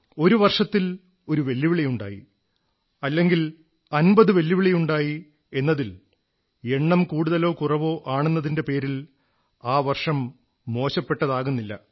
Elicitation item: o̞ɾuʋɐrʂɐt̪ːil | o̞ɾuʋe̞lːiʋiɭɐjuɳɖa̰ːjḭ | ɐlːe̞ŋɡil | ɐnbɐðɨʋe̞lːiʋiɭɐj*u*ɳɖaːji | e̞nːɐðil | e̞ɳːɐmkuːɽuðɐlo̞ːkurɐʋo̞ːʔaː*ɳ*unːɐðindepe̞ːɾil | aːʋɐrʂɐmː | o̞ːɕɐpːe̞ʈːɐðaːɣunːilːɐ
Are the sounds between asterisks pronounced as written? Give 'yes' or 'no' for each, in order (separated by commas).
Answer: yes, yes